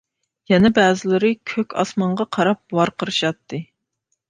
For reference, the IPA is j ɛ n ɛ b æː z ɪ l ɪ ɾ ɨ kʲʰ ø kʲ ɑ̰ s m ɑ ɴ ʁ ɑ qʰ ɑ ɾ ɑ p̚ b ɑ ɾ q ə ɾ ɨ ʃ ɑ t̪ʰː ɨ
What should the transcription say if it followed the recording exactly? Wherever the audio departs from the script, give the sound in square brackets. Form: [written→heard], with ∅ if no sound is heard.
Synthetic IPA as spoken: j ɛ n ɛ b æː z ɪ l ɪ ɾ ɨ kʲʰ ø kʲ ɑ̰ s m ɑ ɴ ʁ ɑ qʰ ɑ ɾ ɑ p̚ [b→w] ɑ ɾ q ə ɾ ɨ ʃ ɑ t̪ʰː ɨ